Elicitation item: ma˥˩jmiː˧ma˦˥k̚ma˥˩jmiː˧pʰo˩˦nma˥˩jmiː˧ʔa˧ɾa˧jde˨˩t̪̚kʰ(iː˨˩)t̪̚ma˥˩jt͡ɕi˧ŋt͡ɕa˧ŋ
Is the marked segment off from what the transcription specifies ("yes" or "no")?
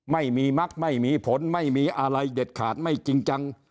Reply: yes